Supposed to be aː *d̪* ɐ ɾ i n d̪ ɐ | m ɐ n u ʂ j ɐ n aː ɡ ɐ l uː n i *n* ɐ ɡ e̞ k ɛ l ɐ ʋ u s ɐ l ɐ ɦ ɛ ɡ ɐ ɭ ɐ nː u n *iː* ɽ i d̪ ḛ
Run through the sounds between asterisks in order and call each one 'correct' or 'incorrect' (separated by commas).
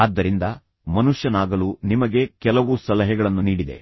incorrect, incorrect, correct